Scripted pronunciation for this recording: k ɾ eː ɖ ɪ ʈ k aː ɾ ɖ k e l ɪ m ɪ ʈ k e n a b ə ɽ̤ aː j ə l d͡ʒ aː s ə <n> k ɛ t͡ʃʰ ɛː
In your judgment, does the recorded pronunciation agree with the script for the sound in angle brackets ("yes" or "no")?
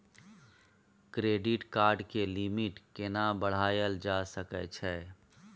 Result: no